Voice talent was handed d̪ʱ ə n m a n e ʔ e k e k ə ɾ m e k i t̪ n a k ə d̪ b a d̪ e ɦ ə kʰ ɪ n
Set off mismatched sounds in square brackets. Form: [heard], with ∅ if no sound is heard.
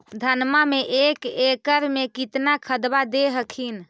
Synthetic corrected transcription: d̪ʱ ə n m a [m] e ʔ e k e k ə ɾ m e k i t̪ n a [kʰ] ə d̪ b a d̪ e ɦ ə kʰ [i] n